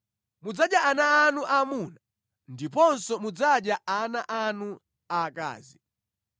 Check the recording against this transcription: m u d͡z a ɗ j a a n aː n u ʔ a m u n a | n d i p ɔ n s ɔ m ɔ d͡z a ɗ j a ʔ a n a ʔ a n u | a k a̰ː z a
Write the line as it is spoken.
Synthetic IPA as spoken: m u d͡z a ɗ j a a n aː n u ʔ a m u n a | n d i p ɔ n s ɔ m u d͡z a ɗ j a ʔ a n a ʔ a n u | a k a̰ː z i